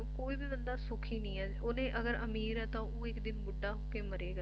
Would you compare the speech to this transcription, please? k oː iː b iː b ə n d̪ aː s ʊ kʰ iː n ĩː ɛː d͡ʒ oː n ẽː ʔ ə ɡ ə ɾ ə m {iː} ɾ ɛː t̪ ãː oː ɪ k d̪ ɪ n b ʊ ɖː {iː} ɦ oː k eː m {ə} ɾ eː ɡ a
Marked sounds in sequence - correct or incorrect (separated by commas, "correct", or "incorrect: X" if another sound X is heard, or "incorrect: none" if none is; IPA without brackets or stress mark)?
correct, incorrect: aː, correct